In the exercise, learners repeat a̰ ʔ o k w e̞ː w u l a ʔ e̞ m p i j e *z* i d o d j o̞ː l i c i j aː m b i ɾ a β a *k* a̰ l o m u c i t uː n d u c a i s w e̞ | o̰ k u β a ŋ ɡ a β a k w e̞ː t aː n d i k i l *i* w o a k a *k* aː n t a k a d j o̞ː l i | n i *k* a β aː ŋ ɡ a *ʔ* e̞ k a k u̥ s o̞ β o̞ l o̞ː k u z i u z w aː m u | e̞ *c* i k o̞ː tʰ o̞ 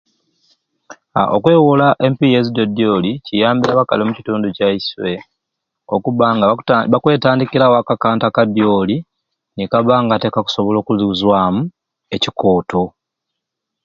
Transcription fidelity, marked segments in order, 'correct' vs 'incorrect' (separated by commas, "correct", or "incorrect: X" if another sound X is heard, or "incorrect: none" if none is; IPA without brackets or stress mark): correct, correct, incorrect: a, correct, correct, incorrect: t, correct